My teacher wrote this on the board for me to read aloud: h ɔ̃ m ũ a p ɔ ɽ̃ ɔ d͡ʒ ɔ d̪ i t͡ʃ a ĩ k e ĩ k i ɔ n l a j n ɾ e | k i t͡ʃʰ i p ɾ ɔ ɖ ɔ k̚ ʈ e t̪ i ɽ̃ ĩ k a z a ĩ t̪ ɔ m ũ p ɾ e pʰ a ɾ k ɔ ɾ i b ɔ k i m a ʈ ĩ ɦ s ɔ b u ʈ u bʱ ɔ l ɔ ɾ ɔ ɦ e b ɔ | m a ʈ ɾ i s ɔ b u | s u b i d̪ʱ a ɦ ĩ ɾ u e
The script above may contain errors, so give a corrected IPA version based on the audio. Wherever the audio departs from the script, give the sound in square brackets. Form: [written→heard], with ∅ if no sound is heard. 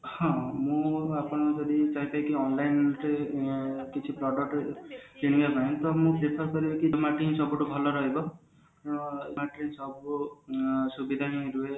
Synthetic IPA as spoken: h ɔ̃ m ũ a p ɔ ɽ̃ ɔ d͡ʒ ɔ d̪ i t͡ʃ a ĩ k [e→a] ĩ k i ɔ n l a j n ɾ e | k i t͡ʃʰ i p ɾ ɔ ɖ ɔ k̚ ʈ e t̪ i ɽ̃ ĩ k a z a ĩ t̪ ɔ m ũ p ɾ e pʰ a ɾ k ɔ ɾ i b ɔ k i m a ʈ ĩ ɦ s ɔ b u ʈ u bʱ ɔ l ɔ ɾ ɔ ɦ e b ɔ | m a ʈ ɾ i s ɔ b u | s u b i d̪ʱ a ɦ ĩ ɾ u e